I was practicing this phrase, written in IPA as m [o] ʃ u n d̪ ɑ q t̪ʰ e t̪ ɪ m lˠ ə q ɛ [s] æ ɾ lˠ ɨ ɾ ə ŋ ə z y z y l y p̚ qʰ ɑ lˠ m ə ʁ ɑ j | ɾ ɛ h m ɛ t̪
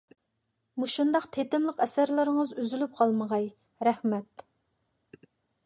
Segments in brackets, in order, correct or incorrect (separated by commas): incorrect, correct